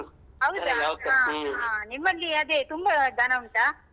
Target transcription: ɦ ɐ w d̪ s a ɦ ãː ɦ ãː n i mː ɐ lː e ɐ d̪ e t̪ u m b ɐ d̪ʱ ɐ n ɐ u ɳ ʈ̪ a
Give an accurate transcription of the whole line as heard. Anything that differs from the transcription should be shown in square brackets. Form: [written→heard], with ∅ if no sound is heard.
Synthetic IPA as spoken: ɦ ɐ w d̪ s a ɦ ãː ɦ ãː n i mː ɐ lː [e→i] ɐ d̪ e t̪ u m b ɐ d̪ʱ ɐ n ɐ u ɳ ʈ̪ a